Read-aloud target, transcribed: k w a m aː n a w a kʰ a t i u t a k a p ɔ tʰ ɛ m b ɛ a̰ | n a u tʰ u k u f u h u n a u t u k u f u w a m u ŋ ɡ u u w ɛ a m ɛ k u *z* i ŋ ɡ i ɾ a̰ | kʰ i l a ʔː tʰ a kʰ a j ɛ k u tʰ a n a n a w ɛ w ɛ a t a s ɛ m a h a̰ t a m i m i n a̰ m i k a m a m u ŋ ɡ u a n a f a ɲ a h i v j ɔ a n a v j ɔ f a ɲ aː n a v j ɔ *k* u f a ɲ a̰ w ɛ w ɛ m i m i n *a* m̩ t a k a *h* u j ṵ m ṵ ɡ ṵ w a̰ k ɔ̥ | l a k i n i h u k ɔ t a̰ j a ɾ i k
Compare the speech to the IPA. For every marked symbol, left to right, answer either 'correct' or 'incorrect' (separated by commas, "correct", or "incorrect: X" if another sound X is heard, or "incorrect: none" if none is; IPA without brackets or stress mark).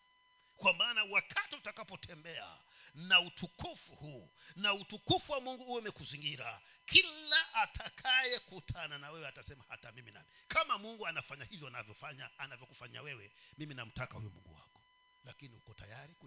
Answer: correct, correct, correct, correct